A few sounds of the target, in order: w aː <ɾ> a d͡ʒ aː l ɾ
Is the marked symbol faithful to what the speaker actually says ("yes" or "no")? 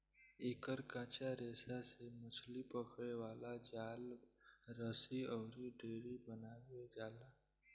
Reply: no